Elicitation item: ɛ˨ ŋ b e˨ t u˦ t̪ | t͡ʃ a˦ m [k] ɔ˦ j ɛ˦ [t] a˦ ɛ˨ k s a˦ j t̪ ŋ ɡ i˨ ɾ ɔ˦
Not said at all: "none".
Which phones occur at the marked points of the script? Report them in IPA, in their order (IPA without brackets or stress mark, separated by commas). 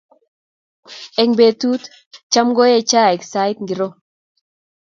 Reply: ɡ, t͡ʃ